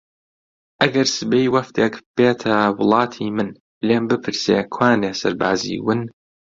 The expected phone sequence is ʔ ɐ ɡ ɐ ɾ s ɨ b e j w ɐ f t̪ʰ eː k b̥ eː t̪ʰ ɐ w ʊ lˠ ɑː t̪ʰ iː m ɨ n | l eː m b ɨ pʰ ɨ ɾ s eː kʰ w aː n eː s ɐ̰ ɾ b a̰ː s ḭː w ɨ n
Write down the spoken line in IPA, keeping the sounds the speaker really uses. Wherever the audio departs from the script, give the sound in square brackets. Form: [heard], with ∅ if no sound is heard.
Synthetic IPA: ʔ ɐ ɡ ɐ ɾ s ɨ b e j w ɐ f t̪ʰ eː k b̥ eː t̪ʰ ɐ w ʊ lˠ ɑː t̪ʰ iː m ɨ n | l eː m b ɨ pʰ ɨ ɾ s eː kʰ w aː n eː s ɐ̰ ɾ b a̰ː [z] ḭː w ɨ n